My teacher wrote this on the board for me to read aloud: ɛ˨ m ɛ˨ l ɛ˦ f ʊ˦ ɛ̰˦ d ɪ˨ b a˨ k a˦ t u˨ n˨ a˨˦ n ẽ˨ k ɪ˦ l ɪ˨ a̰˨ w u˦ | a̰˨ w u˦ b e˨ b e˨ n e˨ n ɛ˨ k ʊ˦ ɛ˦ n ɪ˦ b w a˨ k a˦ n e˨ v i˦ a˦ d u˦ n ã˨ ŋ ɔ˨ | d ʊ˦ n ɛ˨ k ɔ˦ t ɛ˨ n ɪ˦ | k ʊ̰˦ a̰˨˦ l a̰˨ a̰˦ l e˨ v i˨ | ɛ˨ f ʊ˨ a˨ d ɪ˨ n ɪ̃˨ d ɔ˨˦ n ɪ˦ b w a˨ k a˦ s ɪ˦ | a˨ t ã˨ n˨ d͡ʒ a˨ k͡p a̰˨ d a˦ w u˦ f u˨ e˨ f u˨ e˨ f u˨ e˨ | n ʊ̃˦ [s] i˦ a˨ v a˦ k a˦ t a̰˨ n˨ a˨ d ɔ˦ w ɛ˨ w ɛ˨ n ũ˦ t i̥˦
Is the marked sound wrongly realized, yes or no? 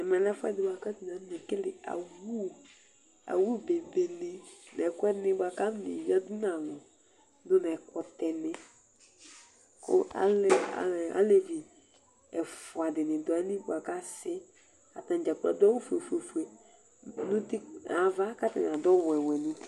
yes